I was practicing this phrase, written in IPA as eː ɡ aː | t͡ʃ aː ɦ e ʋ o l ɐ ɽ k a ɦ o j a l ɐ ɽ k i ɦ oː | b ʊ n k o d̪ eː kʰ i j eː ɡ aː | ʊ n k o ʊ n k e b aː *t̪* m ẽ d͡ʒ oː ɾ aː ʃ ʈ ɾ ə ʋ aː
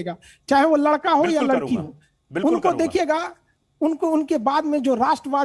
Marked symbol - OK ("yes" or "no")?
no